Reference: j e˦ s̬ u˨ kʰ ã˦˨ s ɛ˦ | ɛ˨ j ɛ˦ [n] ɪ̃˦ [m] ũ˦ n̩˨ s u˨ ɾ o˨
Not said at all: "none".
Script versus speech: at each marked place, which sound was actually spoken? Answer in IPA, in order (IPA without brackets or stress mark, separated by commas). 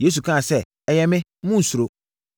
m, m